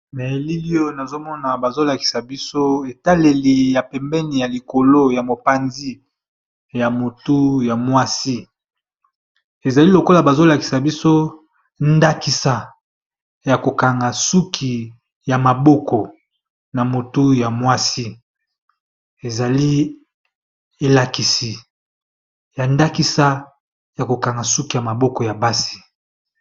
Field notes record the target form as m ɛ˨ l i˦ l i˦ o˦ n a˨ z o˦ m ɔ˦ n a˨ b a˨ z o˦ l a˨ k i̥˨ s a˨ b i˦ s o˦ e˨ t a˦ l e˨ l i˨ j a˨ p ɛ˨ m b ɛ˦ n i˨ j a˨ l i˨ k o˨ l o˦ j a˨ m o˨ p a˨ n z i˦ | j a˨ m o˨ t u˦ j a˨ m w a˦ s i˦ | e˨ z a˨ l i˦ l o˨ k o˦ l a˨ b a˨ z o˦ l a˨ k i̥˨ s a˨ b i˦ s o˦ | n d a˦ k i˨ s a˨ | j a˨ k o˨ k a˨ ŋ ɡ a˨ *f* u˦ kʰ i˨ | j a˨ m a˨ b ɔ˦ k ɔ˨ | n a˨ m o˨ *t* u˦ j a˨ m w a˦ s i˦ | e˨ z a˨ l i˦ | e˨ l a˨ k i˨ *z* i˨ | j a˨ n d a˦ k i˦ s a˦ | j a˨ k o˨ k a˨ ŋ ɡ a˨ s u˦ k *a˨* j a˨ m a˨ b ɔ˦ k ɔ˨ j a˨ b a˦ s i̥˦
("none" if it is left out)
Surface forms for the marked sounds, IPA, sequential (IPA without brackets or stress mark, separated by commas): s, t, s, i˨